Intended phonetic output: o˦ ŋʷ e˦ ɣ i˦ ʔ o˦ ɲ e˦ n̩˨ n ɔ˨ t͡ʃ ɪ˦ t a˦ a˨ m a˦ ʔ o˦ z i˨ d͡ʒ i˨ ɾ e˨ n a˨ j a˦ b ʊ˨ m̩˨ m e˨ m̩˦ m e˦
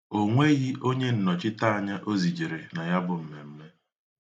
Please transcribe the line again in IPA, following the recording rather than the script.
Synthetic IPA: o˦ ŋʷ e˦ ɣ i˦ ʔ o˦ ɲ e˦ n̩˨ n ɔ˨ t͡ʃ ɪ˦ t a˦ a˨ ɲ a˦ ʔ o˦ z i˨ d͡ʒ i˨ ɾ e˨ n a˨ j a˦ b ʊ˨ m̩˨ m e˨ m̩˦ m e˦